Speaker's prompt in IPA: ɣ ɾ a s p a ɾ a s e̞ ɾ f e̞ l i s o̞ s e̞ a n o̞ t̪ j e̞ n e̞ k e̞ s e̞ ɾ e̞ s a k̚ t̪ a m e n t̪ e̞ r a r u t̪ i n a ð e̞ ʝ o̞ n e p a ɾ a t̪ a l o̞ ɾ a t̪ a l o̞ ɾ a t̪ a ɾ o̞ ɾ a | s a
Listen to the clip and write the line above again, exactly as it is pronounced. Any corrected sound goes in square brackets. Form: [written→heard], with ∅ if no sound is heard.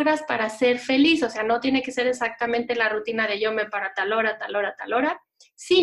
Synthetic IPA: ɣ ɾ a s p a ɾ a s e̞ ɾ f e̞ l i s o̞ s e̞ a n o̞ t̪ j e̞ n e̞ k e̞ s e̞ ɾ e̞ s a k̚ t̪ a m [e→ẽ] n t̪ e̞ [r→l] a r u t̪ i n a ð e̞ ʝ o̞ [n→m] e p a ɾ a t̪ a l o̞ ɾ a t̪ a l o̞ ɾ a t̪ a [ɾ→l] o̞ ɾ a | s [a→i]